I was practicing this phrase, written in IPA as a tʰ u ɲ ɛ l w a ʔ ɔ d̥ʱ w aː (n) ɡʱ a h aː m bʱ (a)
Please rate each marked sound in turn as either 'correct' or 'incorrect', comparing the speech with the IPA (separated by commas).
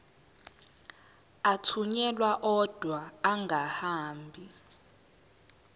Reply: incorrect, incorrect